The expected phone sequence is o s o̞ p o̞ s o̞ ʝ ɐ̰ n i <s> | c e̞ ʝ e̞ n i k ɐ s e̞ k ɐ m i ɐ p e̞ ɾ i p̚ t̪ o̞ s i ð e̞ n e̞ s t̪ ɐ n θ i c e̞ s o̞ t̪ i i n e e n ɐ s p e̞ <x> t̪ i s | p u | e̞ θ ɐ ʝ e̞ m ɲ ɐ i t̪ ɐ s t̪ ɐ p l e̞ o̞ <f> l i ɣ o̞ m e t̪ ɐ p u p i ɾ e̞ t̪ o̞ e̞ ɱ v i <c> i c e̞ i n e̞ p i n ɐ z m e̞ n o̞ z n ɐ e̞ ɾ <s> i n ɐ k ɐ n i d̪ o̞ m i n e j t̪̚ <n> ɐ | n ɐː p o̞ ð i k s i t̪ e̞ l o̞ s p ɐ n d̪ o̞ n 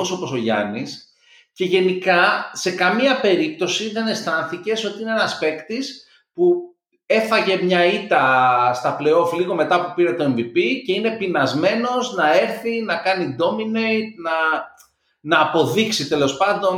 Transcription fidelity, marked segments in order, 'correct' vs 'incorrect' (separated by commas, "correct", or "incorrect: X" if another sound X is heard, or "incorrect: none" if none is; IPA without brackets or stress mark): correct, incorrect: k, correct, incorrect: p, incorrect: θ, correct